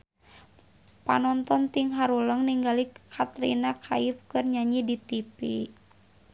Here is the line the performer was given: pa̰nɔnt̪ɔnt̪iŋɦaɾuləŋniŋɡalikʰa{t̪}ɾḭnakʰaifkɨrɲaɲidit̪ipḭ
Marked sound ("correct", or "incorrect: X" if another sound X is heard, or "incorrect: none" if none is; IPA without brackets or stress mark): correct